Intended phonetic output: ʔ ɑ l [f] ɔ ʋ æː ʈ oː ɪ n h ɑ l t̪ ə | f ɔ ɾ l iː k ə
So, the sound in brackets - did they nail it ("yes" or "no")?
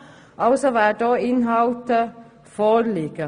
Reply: no